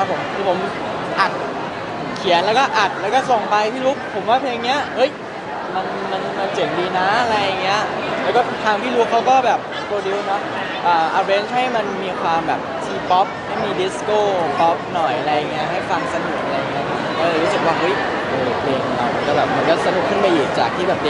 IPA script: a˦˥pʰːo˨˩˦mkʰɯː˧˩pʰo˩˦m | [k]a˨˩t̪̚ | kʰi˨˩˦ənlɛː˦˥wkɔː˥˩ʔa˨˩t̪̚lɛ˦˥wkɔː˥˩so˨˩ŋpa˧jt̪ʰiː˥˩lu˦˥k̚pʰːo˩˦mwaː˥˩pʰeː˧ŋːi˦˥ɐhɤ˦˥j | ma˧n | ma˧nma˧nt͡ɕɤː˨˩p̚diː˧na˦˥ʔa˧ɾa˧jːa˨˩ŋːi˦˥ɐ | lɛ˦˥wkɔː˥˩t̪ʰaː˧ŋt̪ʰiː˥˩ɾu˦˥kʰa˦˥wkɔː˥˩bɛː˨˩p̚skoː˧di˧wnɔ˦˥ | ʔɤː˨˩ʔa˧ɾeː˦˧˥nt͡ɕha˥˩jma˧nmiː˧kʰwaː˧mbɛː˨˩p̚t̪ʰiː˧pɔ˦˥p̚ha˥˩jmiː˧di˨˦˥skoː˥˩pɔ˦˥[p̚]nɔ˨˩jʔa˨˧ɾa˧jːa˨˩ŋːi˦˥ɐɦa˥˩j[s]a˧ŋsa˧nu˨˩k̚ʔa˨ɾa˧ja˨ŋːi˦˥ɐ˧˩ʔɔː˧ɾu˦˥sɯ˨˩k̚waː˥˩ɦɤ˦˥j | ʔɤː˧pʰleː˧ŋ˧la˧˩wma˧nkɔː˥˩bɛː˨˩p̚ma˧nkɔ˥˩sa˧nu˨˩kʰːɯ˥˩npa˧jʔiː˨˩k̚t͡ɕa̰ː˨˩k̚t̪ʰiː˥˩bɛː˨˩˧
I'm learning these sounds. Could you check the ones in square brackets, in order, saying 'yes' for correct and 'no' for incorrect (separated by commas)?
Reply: no, yes, no